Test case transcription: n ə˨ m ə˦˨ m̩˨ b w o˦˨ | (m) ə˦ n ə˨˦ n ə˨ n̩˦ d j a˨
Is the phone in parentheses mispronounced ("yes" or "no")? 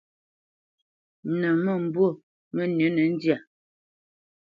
no